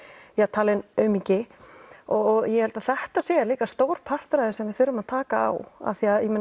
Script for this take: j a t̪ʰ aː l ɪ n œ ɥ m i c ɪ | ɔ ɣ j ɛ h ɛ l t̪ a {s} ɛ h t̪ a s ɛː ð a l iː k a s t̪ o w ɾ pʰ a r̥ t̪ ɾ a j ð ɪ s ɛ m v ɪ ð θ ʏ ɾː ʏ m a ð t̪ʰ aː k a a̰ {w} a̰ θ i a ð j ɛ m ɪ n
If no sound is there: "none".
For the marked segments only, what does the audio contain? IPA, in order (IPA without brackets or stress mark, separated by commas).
θ, w